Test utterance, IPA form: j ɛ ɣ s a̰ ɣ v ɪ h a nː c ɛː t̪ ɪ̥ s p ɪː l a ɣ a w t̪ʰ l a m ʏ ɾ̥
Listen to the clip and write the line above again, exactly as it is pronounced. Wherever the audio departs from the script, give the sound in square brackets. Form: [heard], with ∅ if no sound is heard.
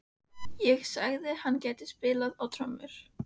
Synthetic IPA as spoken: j ɛ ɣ s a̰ ɣ [ð] ɪ h a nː c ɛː t̪ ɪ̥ s p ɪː l a [ð] a w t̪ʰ [ɾ] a m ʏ ɾ̥